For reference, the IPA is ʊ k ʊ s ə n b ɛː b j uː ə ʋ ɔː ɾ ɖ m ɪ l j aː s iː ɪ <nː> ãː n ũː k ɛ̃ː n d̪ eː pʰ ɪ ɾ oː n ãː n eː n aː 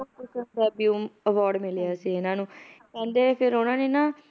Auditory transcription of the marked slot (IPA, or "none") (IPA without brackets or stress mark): n